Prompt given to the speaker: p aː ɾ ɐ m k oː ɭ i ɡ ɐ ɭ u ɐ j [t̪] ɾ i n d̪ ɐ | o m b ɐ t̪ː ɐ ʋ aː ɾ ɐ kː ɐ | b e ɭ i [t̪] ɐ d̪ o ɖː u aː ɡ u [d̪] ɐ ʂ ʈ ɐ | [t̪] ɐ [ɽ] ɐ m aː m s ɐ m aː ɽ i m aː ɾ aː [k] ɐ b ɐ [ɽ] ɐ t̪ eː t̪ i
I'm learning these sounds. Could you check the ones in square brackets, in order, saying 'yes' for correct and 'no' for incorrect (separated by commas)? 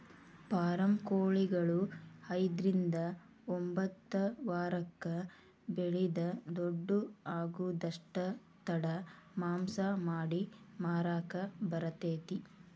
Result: no, no, yes, yes, yes, yes, no